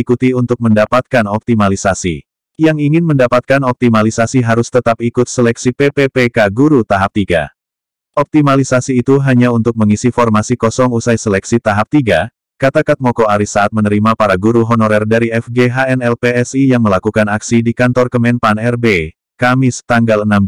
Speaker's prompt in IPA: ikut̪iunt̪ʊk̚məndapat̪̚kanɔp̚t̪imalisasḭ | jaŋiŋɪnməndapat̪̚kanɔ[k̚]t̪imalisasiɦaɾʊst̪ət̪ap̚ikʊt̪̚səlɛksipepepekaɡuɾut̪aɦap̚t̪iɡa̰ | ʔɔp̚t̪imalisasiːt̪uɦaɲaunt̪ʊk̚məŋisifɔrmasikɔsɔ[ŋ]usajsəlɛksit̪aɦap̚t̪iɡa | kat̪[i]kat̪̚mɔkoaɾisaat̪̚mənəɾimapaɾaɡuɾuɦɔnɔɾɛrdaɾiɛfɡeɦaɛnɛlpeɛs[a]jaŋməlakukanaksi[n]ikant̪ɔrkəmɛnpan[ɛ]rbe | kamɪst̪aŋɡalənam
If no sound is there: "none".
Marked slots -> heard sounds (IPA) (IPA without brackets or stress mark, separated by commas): p̚, ŋ, a, i, d, ɛ